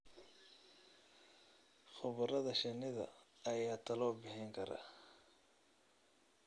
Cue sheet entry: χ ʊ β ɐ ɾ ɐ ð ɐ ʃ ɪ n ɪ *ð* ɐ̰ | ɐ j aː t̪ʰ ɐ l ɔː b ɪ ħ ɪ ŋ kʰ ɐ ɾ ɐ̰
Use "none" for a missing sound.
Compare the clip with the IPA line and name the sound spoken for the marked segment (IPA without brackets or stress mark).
ð